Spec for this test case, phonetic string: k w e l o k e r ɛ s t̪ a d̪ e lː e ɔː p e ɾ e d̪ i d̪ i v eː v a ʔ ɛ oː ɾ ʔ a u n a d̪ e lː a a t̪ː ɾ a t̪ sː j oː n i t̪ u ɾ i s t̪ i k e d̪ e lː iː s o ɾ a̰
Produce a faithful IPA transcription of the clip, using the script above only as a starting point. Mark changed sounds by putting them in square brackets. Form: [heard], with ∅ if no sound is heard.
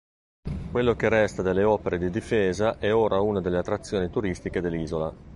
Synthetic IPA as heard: k w e [lː] o k e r ɛ s t̪ a d̪ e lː e ɔː p e ɾ e d̪ i d̪ i [f] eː [z] a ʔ ɛ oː ɾ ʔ a u n a d̪ e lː [e] a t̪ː ɾ a t̪ sː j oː n i t̪ u ɾ i s t̪ i k e d̪ e lː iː [z] o [l] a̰

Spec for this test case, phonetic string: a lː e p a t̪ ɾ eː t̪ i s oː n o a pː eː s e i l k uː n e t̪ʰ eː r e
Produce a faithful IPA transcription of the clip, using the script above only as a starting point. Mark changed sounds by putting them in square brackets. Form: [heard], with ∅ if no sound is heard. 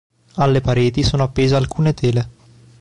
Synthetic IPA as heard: a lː e p a [∅] ɾ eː t̪ i s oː n o a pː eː [z] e [a] l k uː n e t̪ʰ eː [l] e

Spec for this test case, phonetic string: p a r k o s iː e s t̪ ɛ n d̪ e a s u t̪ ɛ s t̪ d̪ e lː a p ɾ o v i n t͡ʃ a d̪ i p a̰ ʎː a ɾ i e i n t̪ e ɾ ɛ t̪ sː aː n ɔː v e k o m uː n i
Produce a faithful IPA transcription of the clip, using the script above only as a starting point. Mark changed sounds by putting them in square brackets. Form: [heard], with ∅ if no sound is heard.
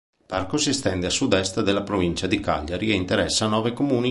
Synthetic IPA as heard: p a r k o s [i] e s t̪ ɛ n d̪ e a s u [d̪] ɛ s t̪ d̪ e lː a p ɾ o v i n t͡ʃ a d̪ i [k] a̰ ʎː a ɾ i e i n t̪ e ɾ ɛ [∅] sː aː n ɔː v e k o m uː n i

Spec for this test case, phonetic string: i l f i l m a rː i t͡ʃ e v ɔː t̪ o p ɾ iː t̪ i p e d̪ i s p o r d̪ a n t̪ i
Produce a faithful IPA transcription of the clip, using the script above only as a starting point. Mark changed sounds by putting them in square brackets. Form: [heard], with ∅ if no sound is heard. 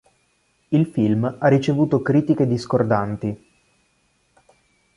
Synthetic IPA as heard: i l f i l m a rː i t͡ʃ e v [uː] t̪ o [k] ɾ iː t̪ i [k] e d̪ i s [k] o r d̪ a n t̪ i

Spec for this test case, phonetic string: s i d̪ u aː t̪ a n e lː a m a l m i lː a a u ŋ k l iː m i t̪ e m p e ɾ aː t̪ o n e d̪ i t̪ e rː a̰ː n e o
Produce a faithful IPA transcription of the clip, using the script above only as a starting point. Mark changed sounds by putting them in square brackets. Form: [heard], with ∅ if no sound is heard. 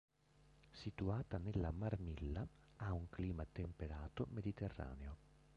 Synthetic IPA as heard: s i [t̪] u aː t̪ a n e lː a m a [r] m i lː a a u ŋ k l iː m [a] t̪ e m p e ɾ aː t̪ o [m] e d̪ i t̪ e rː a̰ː n e o

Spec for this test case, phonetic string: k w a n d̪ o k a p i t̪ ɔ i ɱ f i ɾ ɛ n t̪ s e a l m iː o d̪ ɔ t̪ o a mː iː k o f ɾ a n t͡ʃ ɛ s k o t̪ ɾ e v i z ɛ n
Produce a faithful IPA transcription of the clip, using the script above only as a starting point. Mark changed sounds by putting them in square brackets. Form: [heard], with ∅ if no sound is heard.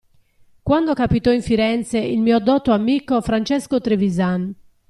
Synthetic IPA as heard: k w a n d̪ o k a p i t̪ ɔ i ɱ f i ɾ ɛ n t̪ s e [i] l m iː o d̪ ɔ t̪ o a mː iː k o f ɾ a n t͡ʃ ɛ s k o t̪ ɾ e v i z [a] n

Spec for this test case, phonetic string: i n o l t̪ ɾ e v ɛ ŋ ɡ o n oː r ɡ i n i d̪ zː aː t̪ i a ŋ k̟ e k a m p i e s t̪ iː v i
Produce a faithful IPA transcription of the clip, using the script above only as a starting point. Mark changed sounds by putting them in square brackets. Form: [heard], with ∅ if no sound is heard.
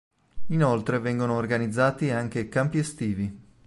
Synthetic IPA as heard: i n o l t̪ ɾ e v ɛ ŋ ɡ o n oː r ɡ [a] n i d̪ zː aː t̪ i a ŋ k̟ e k a m p i e s t̪ iː v i

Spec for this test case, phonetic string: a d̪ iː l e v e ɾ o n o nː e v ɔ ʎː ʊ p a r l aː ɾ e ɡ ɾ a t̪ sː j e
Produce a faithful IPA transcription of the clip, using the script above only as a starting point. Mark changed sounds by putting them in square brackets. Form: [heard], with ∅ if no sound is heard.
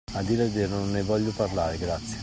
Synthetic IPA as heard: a d̪ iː [ɾ] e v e ɾ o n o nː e v ɔ ʎː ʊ p a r l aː ɾ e ɡ ɾ a t̪ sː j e

